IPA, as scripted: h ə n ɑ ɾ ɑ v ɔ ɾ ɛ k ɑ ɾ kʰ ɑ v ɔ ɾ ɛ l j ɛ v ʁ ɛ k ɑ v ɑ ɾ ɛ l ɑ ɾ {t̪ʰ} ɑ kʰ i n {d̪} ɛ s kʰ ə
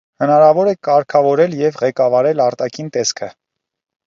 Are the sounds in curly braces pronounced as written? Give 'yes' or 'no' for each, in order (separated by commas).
no, no